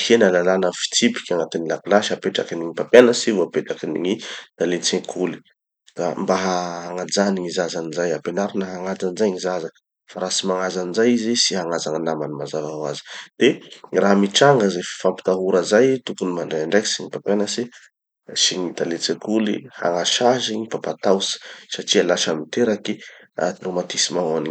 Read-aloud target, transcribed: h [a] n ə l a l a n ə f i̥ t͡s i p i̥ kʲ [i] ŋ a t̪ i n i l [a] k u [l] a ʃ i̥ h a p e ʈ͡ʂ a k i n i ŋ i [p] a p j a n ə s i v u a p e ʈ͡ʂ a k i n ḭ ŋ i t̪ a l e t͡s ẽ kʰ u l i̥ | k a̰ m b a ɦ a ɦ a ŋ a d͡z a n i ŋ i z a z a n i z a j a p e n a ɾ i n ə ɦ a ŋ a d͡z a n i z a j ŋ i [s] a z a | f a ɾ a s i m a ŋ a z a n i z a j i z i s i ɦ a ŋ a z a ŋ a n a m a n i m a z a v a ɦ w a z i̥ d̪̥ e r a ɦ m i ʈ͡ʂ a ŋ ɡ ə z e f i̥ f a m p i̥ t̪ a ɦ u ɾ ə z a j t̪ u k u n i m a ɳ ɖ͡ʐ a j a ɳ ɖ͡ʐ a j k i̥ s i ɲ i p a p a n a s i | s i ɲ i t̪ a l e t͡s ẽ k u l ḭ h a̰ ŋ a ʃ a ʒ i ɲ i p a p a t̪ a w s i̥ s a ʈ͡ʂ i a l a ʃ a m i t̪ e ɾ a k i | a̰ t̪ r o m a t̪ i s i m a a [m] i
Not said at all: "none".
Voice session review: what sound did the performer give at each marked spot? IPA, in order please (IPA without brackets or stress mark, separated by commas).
e, a, a, l, p, z, n